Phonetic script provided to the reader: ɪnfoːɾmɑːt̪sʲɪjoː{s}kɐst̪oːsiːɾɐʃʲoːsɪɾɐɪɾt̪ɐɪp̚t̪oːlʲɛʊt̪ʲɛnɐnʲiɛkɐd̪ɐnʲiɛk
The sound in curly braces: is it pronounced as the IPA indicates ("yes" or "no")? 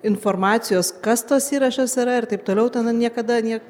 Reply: yes